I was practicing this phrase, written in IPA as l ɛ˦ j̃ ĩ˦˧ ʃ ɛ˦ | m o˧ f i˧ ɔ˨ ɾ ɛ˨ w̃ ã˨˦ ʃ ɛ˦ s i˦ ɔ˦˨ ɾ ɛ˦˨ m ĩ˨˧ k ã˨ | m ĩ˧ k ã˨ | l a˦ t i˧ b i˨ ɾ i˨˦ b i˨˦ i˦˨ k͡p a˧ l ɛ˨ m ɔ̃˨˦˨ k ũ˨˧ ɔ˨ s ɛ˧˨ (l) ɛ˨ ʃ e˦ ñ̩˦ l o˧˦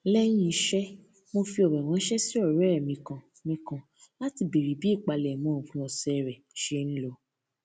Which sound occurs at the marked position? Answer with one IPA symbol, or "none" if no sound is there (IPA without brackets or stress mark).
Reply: ɾ